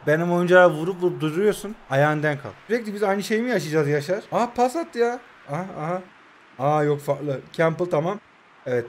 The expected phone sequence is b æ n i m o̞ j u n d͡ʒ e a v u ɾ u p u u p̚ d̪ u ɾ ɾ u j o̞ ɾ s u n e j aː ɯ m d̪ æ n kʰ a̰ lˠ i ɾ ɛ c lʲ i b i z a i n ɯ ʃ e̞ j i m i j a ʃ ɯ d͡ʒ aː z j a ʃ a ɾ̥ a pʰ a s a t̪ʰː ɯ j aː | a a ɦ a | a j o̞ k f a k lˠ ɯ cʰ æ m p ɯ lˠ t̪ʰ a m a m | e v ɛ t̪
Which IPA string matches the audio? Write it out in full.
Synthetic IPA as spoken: b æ n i m o̞ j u n d͡ʒ a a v u ɾ u p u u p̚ d̪ u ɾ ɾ u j o̞ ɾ s u n a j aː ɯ n d̪ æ n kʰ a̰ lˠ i ɾ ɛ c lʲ i b i z a j n ɯ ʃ e̞ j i m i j a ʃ ɯ d͡ʒ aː z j a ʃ a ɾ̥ a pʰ a s a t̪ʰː ɯ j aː | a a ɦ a | a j o̞ k f a k lˠ ɯ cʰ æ m p ɯ lˠ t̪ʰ a m a m | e v ɛ t̪